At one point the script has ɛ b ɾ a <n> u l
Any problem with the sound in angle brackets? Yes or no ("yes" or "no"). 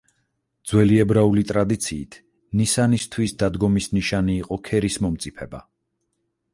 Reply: yes